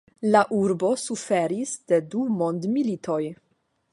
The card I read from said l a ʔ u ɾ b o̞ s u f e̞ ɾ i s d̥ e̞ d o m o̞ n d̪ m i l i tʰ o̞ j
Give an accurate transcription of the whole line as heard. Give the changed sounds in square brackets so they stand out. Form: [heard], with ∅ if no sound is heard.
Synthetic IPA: l a ʔ u ɾ b o̞ s u f e̞ ɾ i s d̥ e̞ d [u] m o̞ n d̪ m i l i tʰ o̞ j